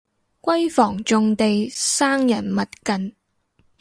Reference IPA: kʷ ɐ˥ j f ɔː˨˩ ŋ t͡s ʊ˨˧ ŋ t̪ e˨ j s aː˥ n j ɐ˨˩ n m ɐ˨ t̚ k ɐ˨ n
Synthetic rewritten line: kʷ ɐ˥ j f ɔː˨˩ ŋ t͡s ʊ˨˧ ŋ t̪ e˨ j s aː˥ ŋ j ɐ˨˩ n m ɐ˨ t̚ k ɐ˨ n